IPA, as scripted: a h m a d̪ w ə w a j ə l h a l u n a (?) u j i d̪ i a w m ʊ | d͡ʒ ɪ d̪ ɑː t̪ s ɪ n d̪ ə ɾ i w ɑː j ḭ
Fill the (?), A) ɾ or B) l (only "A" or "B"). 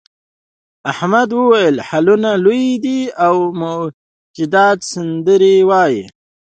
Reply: B